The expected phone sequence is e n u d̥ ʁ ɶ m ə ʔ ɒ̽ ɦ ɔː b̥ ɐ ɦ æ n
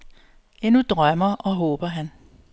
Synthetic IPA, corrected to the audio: e n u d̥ ʁ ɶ m ɐ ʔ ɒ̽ ɦ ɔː b̥ ɐ ɦ æ n